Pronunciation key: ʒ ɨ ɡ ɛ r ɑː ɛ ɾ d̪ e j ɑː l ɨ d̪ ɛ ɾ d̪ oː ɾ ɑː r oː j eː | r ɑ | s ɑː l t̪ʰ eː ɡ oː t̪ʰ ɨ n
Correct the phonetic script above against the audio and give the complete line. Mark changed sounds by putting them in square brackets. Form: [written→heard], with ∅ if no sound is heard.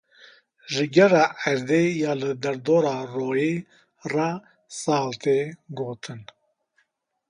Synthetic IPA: ʒ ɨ ɡ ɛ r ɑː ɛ ɾ d̪ e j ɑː l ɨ d̪ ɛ ɾ d̪ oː ɾ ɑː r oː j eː | r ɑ | s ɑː l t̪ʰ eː ɡ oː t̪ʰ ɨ n